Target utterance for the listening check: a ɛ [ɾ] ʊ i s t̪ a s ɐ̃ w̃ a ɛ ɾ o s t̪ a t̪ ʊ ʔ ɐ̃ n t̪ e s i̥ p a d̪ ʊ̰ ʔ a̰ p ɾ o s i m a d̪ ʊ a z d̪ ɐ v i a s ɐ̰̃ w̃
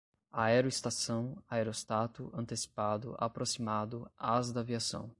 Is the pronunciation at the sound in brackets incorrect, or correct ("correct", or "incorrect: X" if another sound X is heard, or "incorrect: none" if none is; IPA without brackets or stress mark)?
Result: correct